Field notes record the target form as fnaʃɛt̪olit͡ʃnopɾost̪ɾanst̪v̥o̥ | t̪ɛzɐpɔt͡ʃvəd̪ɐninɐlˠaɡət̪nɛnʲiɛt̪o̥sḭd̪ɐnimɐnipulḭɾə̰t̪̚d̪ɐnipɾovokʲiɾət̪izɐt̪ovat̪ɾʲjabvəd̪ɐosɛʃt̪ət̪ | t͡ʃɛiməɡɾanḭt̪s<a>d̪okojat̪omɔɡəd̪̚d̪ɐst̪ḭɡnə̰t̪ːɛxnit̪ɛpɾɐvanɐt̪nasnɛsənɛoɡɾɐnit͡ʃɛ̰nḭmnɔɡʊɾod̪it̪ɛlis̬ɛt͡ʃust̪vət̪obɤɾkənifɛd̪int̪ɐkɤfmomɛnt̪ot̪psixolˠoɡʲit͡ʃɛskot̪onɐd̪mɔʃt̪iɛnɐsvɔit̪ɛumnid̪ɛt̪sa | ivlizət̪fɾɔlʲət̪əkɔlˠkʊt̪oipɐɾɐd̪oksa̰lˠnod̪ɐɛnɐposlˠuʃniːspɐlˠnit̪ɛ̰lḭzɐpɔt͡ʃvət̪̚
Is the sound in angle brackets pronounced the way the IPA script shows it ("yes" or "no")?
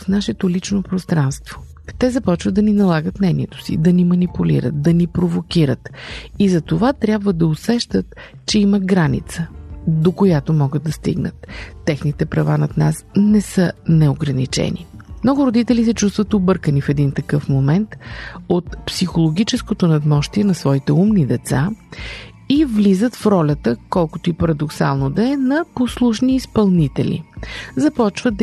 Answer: no